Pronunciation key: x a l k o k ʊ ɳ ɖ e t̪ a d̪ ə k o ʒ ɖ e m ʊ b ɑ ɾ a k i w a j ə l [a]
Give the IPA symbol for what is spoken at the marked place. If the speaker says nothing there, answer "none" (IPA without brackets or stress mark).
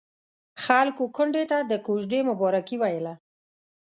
a